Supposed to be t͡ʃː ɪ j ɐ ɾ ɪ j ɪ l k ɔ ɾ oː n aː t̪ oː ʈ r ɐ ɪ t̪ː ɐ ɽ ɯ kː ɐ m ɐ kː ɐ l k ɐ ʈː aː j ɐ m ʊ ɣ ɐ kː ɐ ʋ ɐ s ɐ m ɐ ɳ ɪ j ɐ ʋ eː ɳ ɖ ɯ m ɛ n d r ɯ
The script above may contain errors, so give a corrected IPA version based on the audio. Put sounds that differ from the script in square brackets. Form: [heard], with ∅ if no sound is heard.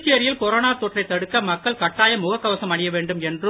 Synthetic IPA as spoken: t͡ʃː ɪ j ɐ ɾ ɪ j ɪ l k ɔ ɾ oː n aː t̪ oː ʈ r ɐ ɪ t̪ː ɐ ɽ ɯ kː ɐ m ɐ kː ɐ [ɭ] k ɐ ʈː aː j ɐ m ʊ ɣ ɐ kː ɐ ʋ ɐ s ɐ m ɐ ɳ ɪ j ɐ ʋ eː ɳ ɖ ɯ m ɛ n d r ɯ